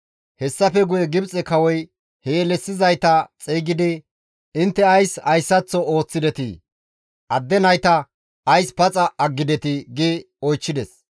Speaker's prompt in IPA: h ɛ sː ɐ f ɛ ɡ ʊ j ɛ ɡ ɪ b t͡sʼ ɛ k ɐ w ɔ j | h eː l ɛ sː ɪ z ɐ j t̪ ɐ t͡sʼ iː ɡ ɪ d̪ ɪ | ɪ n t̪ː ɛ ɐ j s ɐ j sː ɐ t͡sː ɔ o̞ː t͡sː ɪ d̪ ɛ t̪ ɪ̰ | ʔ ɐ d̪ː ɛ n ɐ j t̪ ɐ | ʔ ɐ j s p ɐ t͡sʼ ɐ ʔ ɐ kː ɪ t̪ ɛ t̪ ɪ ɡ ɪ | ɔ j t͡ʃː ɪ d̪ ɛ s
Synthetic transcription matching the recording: h ɛ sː ɐ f ɛ ɡ ʊ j ɛ ɡ ɪ b t͡sʼ ɛ k ɐ w ɔ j | h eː l ɛ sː ɪ z ɐ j t̪ ɐ t͡sʼ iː ɡ ɪ d̪ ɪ | ɪ n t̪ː ɛ ɐ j s ɐ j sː ɐ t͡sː ɔ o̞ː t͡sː ɪ d̪ ɛ t̪ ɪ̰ | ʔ ɐ d̪ː ɛ n ɐ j t̪ ɐ | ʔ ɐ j s p ɐ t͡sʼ ɐ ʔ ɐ ɡː ɪ d̪ ɛ t̪ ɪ ɡ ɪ | ɔ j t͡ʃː ɪ d̪ ɛ s